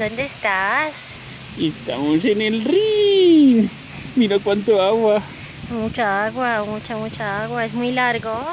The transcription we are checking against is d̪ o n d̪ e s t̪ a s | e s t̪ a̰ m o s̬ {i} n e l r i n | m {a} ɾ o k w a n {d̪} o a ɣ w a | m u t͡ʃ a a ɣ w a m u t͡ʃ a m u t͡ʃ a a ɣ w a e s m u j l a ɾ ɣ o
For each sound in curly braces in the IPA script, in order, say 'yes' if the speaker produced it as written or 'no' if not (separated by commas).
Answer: no, no, no